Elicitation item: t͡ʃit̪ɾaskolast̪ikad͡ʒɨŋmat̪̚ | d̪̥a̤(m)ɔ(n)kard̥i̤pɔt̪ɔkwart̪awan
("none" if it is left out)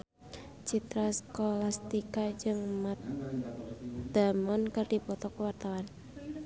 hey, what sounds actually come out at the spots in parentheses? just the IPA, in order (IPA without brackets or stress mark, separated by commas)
m, n